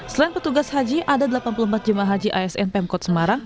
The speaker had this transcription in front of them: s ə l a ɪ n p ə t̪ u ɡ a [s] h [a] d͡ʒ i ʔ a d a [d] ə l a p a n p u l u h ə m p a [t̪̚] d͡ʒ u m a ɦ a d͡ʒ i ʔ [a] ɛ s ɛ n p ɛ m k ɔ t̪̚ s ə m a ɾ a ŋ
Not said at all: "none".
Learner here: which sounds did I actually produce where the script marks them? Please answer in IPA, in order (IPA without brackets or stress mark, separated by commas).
s, a, d, t̪̚, a